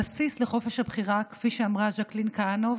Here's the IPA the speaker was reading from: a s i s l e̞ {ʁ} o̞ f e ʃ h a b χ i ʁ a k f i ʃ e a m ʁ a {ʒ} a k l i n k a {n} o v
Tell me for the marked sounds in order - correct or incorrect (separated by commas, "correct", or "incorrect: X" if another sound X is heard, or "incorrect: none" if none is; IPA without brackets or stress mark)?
incorrect: χ, correct, correct